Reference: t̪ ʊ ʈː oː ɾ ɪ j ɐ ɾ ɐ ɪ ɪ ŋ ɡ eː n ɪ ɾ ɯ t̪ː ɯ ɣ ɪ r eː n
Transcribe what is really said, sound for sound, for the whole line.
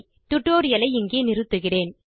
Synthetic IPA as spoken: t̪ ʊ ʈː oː ɾ ɪ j ɐ l ɐ ɪ ɪ ŋ ɡ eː n ɪ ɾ ɯ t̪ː ɯ ɣ ɪ r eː n